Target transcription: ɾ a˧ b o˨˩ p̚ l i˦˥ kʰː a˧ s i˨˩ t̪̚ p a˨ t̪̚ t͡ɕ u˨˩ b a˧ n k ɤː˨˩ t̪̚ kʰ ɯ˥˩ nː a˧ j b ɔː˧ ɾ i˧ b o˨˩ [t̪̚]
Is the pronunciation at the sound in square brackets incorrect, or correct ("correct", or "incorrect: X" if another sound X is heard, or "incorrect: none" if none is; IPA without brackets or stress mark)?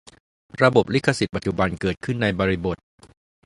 correct